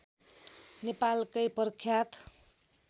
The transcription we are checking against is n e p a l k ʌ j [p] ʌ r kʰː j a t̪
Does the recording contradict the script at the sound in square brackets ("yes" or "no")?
no